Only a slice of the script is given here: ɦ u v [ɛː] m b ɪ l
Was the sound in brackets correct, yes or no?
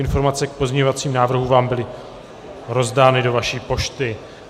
no